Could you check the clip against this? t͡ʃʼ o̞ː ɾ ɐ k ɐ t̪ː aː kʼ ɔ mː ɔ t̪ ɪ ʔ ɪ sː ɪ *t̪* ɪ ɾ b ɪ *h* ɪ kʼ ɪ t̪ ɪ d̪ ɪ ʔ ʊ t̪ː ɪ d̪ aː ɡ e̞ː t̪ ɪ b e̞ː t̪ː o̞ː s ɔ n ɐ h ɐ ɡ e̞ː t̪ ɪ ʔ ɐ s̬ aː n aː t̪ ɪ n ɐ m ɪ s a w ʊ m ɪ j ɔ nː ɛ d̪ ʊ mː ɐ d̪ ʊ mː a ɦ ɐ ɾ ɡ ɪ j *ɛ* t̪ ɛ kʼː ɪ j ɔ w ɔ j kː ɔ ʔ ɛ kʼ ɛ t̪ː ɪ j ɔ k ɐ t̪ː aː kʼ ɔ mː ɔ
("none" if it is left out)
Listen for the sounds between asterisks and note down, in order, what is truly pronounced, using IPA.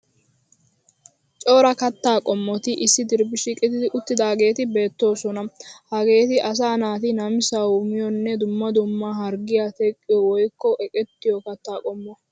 d̪, ʃ, a

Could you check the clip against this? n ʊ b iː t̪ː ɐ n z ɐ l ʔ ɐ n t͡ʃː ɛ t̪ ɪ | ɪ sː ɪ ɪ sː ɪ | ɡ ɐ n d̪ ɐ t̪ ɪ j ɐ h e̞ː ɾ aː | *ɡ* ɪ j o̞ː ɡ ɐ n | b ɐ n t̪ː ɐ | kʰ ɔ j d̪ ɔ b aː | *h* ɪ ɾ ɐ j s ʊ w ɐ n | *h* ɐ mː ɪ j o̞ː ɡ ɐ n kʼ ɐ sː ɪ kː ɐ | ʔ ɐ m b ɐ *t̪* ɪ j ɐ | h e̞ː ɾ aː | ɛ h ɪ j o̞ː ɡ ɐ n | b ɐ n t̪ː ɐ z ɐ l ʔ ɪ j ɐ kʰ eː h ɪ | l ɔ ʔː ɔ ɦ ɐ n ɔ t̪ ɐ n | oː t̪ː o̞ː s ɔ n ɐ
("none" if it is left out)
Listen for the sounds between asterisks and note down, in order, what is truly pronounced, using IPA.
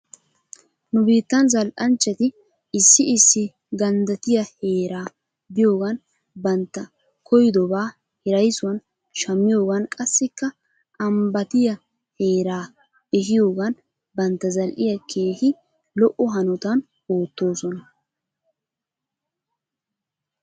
b, h, ʃ, t̪

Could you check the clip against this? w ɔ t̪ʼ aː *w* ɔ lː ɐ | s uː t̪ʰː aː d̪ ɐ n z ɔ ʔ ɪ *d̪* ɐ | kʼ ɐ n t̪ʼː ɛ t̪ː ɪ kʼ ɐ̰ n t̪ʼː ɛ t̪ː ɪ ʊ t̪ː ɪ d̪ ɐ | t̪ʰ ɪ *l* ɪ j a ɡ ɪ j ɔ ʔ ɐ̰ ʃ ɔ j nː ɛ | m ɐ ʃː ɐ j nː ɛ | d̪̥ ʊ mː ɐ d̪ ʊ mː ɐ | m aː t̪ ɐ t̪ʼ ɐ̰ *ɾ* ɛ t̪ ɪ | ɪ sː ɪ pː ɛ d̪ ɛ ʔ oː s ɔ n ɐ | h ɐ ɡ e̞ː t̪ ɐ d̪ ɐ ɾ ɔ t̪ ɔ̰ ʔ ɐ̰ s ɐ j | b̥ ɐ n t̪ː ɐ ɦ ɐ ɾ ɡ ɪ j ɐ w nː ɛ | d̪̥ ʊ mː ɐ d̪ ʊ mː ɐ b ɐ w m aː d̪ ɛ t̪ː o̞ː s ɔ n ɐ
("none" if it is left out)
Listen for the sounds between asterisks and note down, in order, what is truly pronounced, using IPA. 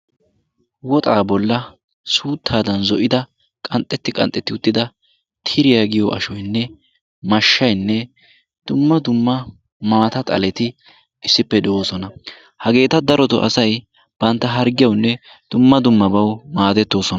b, d̪, ɾ, l

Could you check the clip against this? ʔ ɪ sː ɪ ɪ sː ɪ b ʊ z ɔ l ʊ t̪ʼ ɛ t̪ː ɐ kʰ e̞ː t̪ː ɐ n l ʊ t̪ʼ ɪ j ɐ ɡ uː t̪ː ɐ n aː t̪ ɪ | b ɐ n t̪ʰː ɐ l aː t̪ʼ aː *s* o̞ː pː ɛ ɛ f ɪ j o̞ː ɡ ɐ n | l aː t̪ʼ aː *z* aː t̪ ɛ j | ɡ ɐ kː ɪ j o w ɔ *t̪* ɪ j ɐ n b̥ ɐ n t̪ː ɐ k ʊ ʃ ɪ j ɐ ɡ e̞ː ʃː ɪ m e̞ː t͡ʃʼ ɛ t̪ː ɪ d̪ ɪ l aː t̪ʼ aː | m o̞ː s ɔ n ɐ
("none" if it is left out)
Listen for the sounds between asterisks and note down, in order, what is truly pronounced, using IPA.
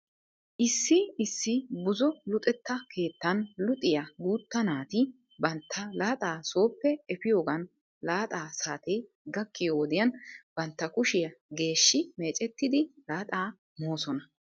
s, s, d̪

